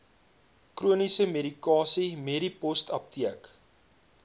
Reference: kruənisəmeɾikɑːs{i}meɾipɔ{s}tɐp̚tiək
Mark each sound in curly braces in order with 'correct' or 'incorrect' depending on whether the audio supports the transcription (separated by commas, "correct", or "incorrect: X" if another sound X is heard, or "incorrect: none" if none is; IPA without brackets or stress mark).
correct, correct